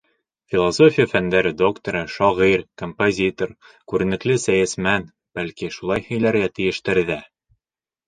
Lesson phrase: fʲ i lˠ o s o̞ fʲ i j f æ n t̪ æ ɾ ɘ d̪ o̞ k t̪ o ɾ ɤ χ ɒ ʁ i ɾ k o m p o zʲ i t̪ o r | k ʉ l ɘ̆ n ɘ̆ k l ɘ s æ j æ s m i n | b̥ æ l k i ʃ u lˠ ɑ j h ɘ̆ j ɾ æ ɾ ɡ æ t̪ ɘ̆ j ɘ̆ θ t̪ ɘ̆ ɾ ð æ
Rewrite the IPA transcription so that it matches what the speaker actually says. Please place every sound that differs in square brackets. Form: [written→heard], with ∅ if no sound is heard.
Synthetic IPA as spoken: fʲ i lˠ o s o̞ fʲ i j f æ n [t̪→d̪] æ ɾ ɘ d̪ o̞ k t̪ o ɾ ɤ [χ→ʃ] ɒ ʁ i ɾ k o m p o zʲ i t̪ o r | k ʉ [l→ɾ] ɘ̆ n ɘ̆ k l ɘ s æ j æ s m [i→æ] n | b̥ æ l k i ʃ u lˠ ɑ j h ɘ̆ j [ɾ→l] æ ɾ ɡ æ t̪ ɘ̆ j ɘ̆ [θ→ʃ] t̪ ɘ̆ ɾ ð æ

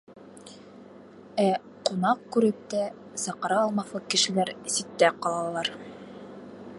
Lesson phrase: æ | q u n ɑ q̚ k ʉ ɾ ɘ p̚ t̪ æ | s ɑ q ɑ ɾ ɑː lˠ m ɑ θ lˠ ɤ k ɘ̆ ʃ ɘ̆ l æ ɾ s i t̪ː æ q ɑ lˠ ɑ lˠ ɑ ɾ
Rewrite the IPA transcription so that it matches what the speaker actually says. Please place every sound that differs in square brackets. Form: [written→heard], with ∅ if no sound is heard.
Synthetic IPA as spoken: æ | q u n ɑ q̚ k ʉ ɾ ɘ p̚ t̪ æ | s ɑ q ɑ ɾ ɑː lˠ m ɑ θ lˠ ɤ k ɘ̆ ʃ ɘ̆ l æ ɾ s i t̪ː æ q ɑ lˠ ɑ lˠ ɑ ɾ

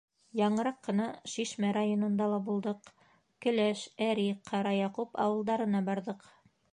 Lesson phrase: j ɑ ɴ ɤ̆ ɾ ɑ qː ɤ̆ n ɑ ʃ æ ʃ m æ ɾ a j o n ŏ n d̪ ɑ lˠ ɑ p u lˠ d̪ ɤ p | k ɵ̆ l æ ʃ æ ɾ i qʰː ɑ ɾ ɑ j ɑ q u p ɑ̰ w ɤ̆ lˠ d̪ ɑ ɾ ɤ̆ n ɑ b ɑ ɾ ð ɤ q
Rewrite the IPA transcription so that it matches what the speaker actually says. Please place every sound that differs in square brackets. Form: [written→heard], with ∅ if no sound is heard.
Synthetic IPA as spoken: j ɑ ɴ ɤ̆ ɾ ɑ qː ɤ̆ n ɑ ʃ [æ→i] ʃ m æ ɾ a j o n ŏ n d̪ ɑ lˠ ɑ [p→b] u lˠ d̪ ɤ [p→q] | k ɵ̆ l æ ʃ æ ɾ i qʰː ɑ ɾ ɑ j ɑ q u p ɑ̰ w ɤ̆ lˠ d̪ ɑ ɾ ɤ̆ n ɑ b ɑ ɾ ð ɤ q

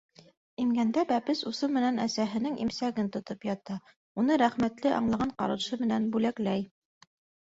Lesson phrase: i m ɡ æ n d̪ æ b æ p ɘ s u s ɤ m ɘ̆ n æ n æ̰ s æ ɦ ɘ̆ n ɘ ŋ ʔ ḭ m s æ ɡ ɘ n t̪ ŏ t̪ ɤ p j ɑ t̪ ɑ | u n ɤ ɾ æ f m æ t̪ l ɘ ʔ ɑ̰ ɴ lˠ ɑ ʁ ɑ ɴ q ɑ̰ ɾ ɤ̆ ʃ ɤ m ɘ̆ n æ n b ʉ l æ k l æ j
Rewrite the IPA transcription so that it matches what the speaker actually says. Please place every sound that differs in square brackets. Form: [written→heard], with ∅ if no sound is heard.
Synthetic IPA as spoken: i m ɡ æ n d̪ æ b æ p ɘ s u s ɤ m ɘ̆ n æ n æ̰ s æ ɦ ɘ̆ n ɘ ŋ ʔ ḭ m s æ ɡ ɘ n t̪ ŏ t̪ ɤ p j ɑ t̪ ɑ | u n ɤ ɾ æ [f→χ] m æ t̪ l ɘ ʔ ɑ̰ ɴ lˠ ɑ ʁ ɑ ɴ q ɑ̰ ɾ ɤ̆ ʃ ɤ m ɘ̆ n æ n b ʉ l æ k l æ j

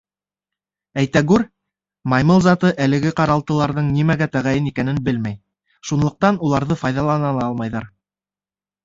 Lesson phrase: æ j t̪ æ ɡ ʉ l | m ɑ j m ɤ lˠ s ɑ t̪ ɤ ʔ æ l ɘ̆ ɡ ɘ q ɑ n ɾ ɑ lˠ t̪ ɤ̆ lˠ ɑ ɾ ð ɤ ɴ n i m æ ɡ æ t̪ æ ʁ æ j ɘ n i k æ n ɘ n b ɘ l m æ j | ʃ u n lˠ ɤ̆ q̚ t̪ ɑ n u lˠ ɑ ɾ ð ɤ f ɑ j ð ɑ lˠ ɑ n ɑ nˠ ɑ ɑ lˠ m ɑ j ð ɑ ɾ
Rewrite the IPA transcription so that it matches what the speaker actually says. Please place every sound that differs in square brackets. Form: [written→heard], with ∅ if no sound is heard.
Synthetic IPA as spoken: æ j t̪ æ ɡ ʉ [l→ɾ] | m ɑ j m ɤ lˠ [s→z] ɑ t̪ ɤ ʔ æ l ɘ̆ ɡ ɘ q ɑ [n→∅] ɾ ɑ lˠ t̪ ɤ̆ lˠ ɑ ɾ ð ɤ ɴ n i m æ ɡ æ t̪ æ ʁ æ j ɘ n i k æ n ɘ n b ɘ l m æ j | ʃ u n lˠ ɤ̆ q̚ t̪ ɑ n u lˠ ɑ ɾ ð ɤ f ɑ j ð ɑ lˠ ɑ n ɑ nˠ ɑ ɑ lˠ m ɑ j ð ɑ ɾ

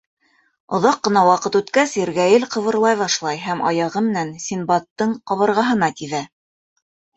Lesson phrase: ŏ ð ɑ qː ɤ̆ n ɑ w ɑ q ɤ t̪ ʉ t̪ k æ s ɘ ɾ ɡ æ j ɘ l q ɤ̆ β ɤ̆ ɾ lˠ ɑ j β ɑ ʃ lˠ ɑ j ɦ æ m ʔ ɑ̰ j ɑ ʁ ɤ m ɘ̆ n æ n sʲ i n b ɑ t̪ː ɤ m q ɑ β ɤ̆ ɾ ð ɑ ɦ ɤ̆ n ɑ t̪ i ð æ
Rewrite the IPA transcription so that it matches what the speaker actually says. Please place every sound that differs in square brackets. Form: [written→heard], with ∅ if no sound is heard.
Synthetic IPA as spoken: ŏ ð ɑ qː ɤ̆ n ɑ w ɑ q ɤ t̪ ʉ t̪ k æ s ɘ ɾ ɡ æ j ɘ l q ɤ̆ β ɤ̆ ɾ lˠ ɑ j β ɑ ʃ lˠ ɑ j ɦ æ m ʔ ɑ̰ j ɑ ʁ ɤ m ɘ̆ n æ n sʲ i n b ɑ t̪ː ɤ [m→ɴ] q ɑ β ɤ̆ ɾ [ð→ʁ] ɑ ɦ ɤ̆ n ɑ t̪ i ð æ

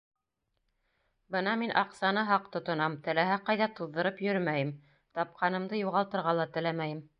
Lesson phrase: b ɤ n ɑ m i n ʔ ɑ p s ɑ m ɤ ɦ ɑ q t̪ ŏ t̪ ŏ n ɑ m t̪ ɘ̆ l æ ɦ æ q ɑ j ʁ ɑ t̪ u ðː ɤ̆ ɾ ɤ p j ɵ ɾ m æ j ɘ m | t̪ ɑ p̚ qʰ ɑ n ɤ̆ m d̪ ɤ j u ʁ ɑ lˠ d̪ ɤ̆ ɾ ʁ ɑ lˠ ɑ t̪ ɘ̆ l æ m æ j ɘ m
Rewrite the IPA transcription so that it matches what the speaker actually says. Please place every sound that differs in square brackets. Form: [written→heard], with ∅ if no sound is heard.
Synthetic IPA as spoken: b ɤ n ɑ m i n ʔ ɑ [p→q] s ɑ [m→n] ɤ ɦ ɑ q t̪ ŏ t̪ ŏ n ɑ m t̪ ɘ̆ l æ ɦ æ q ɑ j [ʁ→ð] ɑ t̪ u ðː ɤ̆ ɾ ɤ p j ɵ ɾ m æ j ɘ m | t̪ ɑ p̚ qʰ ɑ n ɤ̆ m d̪ ɤ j u ʁ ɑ lˠ [d̪→t̪] ɤ̆ ɾ ʁ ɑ lˠ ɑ t̪ ɘ̆ l æ m æ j ɘ m

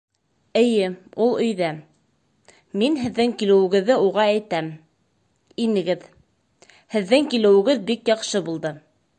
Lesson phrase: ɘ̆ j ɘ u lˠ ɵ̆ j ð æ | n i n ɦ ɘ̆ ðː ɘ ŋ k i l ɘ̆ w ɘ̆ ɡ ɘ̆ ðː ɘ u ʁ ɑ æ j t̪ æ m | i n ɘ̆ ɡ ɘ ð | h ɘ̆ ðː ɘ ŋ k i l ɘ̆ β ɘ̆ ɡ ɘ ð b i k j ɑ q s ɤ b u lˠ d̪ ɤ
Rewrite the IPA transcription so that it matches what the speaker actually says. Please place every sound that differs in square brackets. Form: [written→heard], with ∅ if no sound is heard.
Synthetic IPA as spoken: ɘ̆ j ɘ u lˠ ɵ̆ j ð æ | [n→m] i n ɦ ɘ̆ ðː ɘ ŋ k i l ɘ̆ w ɘ̆ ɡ ɘ̆ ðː ɘ u ʁ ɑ æ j t̪ æ m | i n ɘ̆ ɡ ɘ ð | h ɘ̆ ðː ɘ ŋ k i l ɘ̆ [β→w] ɘ̆ ɡ ɘ ð b i k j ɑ q [s→ʃ] ɤ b u lˠ d̪ ɤ

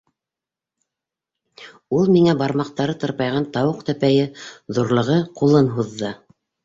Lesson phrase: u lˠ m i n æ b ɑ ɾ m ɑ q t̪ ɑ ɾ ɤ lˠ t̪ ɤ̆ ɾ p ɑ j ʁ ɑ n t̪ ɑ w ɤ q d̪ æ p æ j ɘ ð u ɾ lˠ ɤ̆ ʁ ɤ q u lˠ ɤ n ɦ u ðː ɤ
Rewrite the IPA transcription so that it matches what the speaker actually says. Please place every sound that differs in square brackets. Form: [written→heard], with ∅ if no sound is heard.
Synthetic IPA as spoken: u lˠ m i [n→ŋ] æ b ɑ ɾ m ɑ q t̪ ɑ ɾ ɤ [lˠ→∅] t̪ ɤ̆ ɾ p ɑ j ʁ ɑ n t̪ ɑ w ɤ q [d̪→t̪] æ p æ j ɘ ð u ɾ lˠ ɤ̆ ʁ ɤ q u lˠ ɤ n ɦ u ðː ɤ

